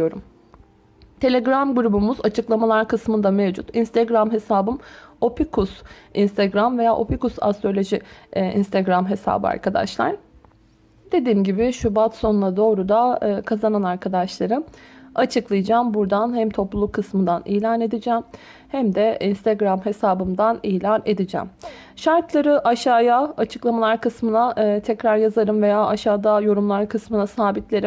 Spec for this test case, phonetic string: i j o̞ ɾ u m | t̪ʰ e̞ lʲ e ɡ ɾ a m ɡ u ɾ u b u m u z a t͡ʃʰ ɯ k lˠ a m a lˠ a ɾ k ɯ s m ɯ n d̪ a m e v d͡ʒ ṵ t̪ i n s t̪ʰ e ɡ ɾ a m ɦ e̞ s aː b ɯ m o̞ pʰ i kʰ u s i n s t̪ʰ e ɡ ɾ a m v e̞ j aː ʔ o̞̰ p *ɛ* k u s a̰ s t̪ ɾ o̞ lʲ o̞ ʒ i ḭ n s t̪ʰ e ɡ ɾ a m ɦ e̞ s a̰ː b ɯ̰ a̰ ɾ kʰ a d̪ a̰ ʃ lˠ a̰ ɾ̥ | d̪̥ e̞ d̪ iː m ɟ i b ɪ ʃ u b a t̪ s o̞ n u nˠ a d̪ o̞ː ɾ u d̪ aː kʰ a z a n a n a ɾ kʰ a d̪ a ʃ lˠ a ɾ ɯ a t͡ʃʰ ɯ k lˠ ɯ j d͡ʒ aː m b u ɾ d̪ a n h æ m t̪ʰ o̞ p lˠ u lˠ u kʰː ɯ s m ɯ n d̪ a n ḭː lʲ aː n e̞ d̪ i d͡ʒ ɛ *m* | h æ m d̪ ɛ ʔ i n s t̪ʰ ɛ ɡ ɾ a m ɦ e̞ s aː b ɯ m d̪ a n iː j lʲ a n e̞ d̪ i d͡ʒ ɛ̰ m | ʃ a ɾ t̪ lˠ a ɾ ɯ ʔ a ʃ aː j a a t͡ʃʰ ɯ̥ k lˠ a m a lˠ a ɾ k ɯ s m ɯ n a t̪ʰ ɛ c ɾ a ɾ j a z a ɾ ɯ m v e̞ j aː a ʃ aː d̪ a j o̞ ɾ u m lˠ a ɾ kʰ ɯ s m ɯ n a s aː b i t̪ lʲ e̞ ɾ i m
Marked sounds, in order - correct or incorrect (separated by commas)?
incorrect, correct